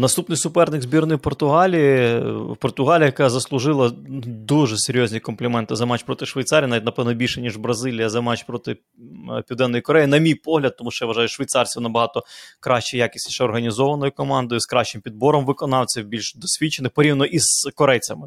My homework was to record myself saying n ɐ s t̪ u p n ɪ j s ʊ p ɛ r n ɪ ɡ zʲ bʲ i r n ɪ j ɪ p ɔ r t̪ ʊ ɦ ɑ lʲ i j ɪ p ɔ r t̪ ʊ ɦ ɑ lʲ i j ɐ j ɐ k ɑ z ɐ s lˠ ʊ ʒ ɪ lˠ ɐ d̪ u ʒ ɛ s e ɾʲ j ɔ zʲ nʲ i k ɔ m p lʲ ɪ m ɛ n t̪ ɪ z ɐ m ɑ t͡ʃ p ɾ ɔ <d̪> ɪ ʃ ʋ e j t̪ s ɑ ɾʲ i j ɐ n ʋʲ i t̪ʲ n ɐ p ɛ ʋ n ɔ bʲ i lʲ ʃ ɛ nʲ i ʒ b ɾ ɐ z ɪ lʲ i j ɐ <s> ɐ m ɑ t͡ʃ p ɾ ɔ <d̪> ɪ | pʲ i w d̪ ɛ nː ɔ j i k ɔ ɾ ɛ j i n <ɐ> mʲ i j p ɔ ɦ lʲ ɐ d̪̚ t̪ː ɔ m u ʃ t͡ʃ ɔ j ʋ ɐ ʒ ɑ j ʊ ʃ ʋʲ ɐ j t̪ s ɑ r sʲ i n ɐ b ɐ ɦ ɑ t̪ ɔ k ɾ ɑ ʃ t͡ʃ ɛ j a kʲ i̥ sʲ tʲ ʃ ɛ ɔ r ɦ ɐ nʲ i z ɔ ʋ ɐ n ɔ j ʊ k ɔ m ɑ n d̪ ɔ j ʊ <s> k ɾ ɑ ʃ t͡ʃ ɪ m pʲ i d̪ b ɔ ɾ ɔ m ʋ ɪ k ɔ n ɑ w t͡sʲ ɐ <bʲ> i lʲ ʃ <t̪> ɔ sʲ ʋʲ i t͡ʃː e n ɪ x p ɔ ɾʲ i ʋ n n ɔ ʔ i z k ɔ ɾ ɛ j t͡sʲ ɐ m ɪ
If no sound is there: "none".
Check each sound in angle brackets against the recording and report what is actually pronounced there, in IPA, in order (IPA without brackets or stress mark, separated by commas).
t̪, z, t̪, ɐ, s, bʲ, d̪